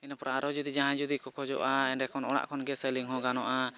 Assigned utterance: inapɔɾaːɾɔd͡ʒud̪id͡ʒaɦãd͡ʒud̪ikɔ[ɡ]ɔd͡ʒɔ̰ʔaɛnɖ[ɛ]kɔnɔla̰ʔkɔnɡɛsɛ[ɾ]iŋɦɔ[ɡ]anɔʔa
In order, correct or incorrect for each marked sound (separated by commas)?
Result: incorrect, correct, incorrect, correct